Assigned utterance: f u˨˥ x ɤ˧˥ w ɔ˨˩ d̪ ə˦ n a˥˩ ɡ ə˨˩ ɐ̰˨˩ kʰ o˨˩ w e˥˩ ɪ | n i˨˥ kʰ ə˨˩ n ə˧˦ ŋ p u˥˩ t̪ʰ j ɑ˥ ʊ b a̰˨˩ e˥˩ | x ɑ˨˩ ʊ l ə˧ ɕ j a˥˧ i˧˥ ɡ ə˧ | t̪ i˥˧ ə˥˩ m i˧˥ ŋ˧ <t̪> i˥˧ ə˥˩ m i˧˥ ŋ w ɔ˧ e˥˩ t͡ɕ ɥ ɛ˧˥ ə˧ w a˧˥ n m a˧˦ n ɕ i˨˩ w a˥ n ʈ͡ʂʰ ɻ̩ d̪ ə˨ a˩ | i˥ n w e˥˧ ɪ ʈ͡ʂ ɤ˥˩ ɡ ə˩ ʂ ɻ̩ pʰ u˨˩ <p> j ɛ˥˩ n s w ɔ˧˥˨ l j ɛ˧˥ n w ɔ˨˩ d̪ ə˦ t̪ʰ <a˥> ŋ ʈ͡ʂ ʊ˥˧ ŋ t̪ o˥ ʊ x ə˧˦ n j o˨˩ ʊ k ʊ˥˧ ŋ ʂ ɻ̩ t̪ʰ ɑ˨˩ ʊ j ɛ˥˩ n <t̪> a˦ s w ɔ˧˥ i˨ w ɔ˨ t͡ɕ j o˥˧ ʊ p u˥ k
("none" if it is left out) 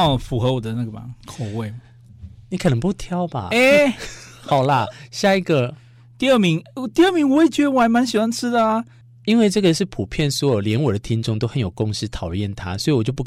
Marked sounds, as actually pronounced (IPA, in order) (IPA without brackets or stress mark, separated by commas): t̪, pʰ, i˥, t̪ʰ